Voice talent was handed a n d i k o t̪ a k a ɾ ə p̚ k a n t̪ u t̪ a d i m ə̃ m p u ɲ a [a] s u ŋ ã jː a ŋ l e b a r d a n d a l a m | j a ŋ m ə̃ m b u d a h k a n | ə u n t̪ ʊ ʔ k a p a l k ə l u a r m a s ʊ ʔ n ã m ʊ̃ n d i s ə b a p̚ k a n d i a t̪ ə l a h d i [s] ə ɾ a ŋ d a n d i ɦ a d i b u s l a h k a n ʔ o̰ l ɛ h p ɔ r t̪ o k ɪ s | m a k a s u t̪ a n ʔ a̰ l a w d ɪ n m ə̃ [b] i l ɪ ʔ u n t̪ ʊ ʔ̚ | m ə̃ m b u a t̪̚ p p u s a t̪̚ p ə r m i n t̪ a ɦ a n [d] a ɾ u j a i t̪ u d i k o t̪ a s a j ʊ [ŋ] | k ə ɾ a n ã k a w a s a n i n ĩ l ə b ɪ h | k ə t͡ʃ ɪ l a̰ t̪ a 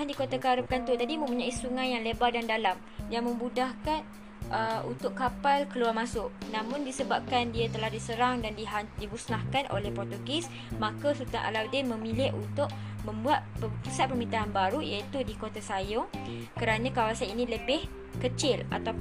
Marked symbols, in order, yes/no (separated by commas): no, yes, no, no, yes